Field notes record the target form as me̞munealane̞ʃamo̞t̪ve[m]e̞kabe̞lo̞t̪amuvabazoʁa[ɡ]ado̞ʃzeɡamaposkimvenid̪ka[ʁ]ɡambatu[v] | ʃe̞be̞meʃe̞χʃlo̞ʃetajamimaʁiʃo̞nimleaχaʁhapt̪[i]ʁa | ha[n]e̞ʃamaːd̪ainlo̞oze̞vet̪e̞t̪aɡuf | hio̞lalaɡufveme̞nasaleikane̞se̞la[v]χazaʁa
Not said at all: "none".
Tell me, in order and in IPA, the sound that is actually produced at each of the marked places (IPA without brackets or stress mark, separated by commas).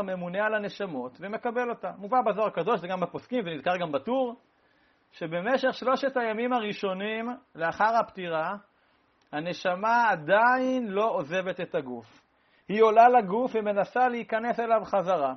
m, k, ʁ, ʁ, i, n, v